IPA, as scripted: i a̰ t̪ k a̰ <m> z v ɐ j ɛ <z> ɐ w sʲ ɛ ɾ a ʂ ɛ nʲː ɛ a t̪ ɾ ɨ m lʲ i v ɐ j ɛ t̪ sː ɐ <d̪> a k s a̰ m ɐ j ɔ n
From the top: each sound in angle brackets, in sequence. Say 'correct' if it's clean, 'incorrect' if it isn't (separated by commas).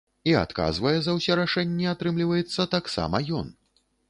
incorrect, correct, incorrect